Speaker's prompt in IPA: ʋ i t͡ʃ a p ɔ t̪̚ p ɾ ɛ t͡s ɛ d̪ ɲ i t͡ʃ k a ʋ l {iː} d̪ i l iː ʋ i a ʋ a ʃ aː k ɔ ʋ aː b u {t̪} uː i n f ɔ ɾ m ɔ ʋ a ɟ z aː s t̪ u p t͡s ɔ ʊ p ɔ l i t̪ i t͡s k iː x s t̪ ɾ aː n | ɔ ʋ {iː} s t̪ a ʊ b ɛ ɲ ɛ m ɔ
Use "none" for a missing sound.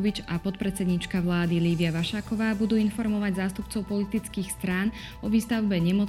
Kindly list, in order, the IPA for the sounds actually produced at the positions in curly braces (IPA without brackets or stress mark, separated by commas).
aː, d̪, iː